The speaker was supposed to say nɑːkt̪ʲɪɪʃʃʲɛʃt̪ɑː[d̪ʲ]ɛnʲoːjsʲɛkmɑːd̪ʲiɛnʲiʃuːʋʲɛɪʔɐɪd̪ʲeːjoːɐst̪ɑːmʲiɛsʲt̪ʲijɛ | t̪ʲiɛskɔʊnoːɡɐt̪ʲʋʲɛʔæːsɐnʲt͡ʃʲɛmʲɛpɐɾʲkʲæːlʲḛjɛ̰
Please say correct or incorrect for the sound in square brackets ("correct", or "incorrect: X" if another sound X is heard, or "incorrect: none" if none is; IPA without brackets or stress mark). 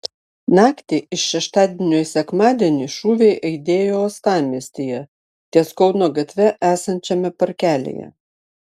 correct